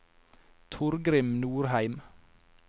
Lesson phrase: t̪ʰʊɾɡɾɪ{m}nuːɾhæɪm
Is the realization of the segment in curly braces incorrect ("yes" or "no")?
no